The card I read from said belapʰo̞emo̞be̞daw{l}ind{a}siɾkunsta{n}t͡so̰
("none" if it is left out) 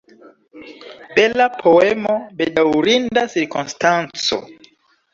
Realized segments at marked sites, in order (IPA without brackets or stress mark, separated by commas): ɾ, a, n